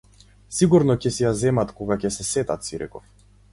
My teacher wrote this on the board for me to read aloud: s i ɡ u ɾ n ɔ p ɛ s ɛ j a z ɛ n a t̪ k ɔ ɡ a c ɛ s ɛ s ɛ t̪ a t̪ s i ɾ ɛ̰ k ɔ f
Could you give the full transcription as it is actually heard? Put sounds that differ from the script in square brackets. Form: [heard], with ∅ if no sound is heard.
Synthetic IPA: s i ɡ u ɾ n ɔ [c] ɛ s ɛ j a z ɛ [m] a t̪ k ɔ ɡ a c ɛ s ɛ s ɛ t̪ a t̪ s i ɾ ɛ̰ k ɔ f